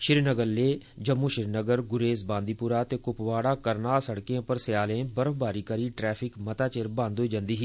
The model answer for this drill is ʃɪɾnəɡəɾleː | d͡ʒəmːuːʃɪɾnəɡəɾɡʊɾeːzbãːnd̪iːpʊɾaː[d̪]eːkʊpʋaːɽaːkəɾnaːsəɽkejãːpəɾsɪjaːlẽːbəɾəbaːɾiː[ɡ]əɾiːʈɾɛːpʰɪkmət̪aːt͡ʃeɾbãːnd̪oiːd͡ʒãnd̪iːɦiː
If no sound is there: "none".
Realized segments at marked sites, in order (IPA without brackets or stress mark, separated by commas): t̪, k